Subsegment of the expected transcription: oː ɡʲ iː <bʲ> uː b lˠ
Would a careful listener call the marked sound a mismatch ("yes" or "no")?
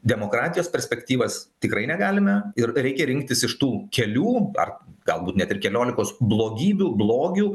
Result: no